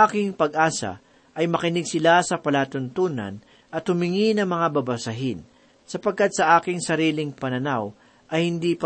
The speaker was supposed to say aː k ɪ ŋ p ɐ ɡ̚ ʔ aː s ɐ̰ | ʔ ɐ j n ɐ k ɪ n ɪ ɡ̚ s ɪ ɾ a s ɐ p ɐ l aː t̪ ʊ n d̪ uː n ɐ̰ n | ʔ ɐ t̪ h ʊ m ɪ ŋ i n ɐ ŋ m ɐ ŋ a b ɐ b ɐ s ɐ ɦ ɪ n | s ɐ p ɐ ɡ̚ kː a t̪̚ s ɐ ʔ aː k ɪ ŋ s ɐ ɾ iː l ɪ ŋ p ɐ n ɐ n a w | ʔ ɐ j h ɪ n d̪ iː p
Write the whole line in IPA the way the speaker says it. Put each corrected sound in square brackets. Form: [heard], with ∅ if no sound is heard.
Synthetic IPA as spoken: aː k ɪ ŋ p ɐ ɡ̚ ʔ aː s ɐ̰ | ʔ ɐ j [m] ɐ k ɪ n ɪ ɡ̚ s ɪ [l] a s ɐ p ɐ l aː t̪ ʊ n [t̪] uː n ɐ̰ n | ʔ ɐ t̪ h ʊ m ɪ ŋ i n ɐ ŋ m ɐ ŋ a b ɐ b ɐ s ɐ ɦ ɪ n | s ɐ p ɐ ɡ̚ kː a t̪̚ s ɐ ʔ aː k ɪ ŋ s ɐ ɾ iː l ɪ ŋ p ɐ n ɐ n a w | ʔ ɐ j h ɪ n d̪ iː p